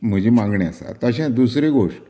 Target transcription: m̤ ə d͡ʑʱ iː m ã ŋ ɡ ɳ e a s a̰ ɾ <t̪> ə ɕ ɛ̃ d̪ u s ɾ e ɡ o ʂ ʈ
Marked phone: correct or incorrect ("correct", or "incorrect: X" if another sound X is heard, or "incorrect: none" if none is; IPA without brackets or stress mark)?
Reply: correct